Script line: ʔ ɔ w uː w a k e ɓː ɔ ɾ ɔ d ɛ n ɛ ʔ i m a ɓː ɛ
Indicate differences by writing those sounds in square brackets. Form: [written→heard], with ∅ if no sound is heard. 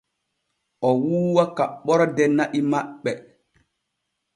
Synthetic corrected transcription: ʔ ɔ w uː w a k [e→a] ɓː ɔ ɾ ɔ d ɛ n [ɛ→a] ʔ i m a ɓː ɛ

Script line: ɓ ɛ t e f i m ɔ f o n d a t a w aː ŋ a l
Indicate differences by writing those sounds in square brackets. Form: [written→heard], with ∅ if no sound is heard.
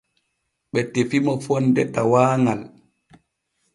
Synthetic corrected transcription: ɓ ɛ t e f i m ɔ f [o→ɔ] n d [a→ɛ] t a w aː ŋ a l

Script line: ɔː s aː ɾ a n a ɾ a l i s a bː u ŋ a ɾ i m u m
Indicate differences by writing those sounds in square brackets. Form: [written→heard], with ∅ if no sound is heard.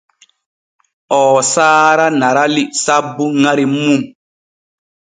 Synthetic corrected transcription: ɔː s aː ɾ a n a ɾ a l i s a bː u ŋ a ɾ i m u m

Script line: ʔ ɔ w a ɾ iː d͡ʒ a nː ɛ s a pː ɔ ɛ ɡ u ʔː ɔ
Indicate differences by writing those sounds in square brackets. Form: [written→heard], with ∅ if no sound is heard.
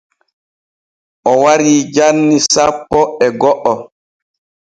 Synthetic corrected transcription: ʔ ɔ w a ɾ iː d͡ʒ a nː [ɛ→i] s a pː ɔ ɛ ɡ [u→ɔ] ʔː ɔ

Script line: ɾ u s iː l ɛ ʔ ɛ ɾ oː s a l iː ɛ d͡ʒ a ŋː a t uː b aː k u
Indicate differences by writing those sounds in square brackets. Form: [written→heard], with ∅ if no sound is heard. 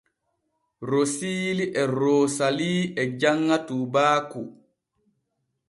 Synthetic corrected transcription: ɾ [u→o] s iː l [ɛ→i] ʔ ɛ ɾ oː s a l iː ɛ d͡ʒ a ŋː a t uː b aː k u

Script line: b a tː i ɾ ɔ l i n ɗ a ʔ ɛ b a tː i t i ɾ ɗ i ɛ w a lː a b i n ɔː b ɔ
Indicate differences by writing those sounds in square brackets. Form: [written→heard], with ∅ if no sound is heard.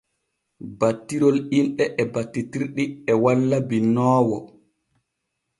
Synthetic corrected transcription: b a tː i ɾ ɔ l i n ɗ [a→ɛ] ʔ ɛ b a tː i t i ɾ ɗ i ɛ w a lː a b i n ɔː [b→w] ɔ

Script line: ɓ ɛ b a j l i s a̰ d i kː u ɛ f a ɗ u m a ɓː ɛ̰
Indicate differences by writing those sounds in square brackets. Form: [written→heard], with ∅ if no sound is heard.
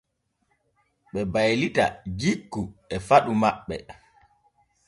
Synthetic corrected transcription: ɓ ɛ b a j l i [s→t] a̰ [d→d͡ʒ] i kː u ɛ f a ɗ u m a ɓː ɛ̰

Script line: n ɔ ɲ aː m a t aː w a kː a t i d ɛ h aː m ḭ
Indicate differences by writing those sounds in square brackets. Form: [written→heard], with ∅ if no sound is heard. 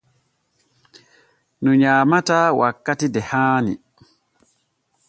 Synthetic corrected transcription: n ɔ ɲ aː m a t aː w a kː a t i d ɛ h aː [m→n] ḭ

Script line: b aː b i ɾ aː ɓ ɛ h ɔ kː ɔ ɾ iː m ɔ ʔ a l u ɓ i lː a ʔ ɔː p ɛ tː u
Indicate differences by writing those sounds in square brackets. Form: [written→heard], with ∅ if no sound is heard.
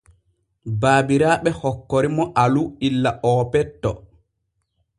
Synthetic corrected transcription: b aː b i ɾ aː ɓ ɛ h ɔ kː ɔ ɾ [iː→i] m ɔ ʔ a l u [ɓ→∅] i lː a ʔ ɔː p ɛ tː [u→ɔ]

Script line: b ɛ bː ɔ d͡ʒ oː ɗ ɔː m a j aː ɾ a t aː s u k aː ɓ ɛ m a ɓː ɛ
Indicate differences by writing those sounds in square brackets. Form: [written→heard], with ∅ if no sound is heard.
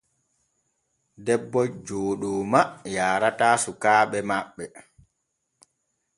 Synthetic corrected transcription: [b→d] ɛ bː ɔ d͡ʒ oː ɗ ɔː m a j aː ɾ a t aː s u k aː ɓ ɛ m a ɓː ɛ

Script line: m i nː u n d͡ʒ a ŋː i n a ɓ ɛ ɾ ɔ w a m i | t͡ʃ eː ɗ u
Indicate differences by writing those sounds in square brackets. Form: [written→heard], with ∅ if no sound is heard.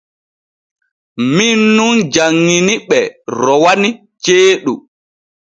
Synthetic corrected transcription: m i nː u n d͡ʒ a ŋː i n [a→i] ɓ ɛ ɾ ɔ w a [m→n] i | t͡ʃ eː ɗ u

